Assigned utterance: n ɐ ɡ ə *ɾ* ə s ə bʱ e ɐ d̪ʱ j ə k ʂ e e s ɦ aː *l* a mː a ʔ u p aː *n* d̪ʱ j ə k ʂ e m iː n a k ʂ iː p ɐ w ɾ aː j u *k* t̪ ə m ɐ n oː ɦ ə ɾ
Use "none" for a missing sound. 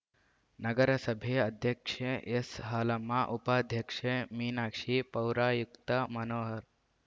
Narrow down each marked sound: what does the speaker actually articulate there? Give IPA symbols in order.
ɾ, l, none, k

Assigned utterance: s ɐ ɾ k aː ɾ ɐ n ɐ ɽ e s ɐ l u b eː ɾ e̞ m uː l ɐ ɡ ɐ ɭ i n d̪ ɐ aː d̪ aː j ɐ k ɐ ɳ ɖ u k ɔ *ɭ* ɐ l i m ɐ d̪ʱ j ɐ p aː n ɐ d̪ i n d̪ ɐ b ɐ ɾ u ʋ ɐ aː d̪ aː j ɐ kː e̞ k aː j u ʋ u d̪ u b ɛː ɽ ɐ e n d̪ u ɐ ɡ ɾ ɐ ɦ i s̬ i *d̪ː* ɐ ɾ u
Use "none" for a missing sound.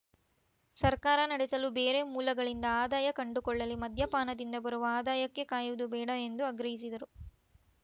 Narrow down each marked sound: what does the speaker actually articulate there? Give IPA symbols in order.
ɭː, d̪

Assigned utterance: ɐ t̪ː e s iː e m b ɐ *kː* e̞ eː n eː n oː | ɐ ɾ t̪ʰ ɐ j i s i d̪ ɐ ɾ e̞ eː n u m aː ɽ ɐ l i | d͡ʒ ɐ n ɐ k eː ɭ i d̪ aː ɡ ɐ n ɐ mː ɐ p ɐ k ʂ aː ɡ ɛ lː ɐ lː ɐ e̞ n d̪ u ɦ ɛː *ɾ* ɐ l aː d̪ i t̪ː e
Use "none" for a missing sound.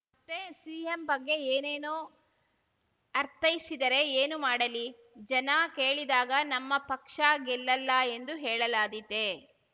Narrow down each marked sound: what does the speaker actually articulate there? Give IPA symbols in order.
ɡː, ɭ

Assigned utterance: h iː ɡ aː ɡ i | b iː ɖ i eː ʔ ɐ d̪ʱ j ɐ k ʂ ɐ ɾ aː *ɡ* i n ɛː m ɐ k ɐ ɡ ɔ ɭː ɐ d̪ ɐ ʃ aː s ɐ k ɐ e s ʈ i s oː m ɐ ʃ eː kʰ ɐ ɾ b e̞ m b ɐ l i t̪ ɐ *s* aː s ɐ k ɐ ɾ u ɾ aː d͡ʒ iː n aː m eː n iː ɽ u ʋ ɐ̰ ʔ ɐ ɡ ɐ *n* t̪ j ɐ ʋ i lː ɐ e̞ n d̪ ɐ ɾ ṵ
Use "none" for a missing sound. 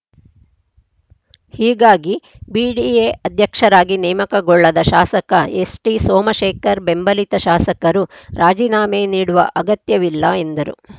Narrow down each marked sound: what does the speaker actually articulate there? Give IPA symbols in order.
ɡ, ʃ, none

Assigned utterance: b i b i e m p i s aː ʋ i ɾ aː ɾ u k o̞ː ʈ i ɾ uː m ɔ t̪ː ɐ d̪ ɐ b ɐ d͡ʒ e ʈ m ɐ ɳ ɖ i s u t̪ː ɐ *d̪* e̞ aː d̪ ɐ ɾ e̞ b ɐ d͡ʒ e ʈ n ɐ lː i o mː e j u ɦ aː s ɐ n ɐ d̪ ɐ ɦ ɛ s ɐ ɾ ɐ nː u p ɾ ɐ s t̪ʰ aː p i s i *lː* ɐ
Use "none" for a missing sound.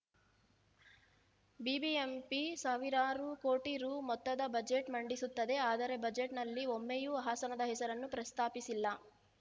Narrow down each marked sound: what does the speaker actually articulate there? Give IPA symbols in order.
d̪, lː

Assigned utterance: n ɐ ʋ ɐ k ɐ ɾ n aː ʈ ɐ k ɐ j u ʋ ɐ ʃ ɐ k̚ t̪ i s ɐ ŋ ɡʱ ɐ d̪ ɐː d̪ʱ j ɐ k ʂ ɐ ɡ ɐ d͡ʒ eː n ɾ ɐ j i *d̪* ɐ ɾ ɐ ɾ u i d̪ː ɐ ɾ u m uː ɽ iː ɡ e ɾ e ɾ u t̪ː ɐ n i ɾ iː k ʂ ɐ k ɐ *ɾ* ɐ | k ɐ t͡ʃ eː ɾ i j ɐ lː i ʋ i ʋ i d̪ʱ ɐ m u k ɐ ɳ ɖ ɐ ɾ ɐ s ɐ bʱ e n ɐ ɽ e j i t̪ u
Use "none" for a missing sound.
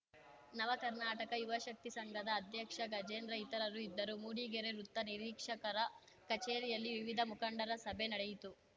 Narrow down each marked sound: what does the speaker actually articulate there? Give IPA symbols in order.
t̪, ɾ

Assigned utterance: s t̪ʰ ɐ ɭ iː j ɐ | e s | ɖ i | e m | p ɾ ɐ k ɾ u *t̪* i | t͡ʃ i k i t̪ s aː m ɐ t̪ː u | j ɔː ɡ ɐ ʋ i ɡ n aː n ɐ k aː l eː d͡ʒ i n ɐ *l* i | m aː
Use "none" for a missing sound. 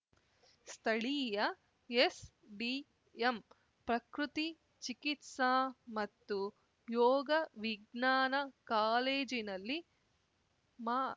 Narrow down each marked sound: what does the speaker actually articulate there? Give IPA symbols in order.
t̪, lː

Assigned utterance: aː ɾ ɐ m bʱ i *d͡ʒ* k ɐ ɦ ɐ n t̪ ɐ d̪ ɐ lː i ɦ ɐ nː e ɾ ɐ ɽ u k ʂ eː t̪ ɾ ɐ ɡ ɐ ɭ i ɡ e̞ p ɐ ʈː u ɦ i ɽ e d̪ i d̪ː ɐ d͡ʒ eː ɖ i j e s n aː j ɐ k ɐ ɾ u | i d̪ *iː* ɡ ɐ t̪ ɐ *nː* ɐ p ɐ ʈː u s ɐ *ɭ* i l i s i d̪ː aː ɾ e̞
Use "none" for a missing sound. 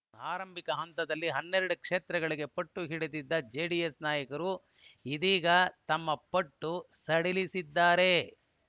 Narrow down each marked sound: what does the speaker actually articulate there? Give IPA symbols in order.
none, iː, mː, ɽ

